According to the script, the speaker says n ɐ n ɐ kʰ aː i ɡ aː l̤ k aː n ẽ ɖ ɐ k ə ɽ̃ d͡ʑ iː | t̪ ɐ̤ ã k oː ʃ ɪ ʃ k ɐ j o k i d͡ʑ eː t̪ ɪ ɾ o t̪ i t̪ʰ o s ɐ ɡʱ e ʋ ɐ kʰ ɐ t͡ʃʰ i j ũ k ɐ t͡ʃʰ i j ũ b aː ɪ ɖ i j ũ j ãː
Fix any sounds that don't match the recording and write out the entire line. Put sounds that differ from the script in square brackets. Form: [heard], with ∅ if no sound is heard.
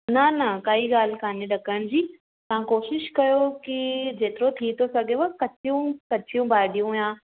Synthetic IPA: n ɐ n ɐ [k] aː i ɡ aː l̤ k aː n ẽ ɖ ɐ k ə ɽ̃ d͡ʑ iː | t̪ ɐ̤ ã k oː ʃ ɪ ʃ k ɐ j o k i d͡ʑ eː t̪ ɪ ɾ o [t̪ʰ] i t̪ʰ o s ɐ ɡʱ e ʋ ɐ [k] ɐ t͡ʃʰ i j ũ k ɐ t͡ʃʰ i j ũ b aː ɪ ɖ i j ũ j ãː

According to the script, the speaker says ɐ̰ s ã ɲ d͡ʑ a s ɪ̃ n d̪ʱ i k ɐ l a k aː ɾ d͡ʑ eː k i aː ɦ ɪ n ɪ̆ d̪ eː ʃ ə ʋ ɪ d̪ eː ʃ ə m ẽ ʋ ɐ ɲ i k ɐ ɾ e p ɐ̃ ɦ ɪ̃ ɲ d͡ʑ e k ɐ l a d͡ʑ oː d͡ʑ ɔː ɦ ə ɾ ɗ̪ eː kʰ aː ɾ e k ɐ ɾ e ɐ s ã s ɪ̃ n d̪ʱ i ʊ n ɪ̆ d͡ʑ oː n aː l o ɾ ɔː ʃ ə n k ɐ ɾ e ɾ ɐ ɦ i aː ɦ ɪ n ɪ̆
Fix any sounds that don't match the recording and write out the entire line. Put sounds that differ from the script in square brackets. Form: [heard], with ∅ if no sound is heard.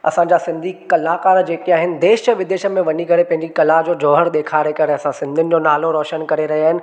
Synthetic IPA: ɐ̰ s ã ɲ d͡ʑ a s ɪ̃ n d̪ʱ i k ɐ l a k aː ɾ d͡ʑ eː k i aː ɦ ɪ n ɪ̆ d̪ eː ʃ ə ʋ ɪ d̪ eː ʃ ə m ẽ ʋ ɐ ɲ i k ɐ ɾ e p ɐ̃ ɦ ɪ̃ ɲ d͡ʑ [i] k ɐ l a d͡ʑ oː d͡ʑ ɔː ɦ ə ɾ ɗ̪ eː kʰ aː ɾ e k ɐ ɾ e ɐ s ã s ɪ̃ n d̪ʱ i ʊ n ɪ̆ d͡ʑ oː n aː l o ɾ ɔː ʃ ə n k ɐ ɾ e ɾ ɐ ɦ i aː ɦ ɪ n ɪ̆

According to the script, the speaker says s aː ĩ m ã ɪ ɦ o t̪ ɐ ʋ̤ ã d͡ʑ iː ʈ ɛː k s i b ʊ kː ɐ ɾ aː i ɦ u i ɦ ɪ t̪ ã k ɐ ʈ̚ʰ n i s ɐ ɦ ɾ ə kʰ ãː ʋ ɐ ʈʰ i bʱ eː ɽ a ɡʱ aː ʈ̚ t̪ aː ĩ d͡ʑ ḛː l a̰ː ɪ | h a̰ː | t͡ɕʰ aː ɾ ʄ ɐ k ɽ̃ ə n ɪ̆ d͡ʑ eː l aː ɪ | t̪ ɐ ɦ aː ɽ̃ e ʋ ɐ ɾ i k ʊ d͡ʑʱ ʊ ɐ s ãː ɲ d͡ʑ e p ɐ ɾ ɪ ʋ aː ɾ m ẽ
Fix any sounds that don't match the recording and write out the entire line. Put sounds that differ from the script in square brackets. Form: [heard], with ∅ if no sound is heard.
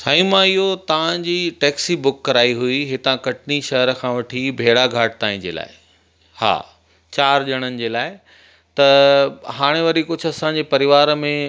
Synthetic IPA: s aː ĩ m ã ɪ ɦ o t̪ ɐ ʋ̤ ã d͡ʑ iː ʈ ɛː k s i b ʊ kː ɐ ɾ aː i ɦ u i ɦ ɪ t̪ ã k ɐ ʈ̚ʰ n i [ʃ] ɐ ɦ ɾ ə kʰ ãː ʋ ɐ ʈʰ i bʱ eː ɽ a ɡʱ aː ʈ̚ t̪ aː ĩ d͡ʑ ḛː l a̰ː ɪ | h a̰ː | [t͡ɕ] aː ɾ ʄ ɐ [∅] ɽ̃ ə n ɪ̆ d͡ʑ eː l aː ɪ | t̪ ɐ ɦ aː ɽ̃ e ʋ ɐ ɾ i k ʊ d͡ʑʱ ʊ ɐ s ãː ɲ d͡ʑ e p ɐ ɾ ɪ ʋ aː ɾ m ẽ

